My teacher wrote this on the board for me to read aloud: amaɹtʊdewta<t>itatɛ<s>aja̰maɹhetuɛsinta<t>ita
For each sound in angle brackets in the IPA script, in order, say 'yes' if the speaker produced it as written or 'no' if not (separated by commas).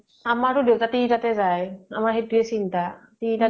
yes, no, yes